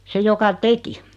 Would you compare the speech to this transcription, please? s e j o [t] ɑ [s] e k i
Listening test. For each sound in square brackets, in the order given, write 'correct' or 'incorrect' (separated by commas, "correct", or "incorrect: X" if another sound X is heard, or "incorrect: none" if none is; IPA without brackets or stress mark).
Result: incorrect: k, incorrect: t